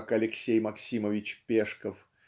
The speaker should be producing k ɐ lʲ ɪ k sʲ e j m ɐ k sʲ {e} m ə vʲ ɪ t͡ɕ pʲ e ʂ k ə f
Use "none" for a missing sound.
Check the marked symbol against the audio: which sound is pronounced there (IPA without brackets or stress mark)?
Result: i